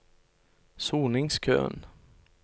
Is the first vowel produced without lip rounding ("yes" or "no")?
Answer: no